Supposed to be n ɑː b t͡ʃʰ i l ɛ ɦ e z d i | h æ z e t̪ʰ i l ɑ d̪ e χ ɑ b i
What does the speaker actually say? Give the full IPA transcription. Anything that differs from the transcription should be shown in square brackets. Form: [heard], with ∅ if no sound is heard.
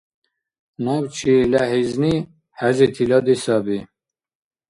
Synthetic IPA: n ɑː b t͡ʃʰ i l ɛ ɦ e z [n] i | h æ z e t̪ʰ i l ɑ d̪ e [s] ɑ b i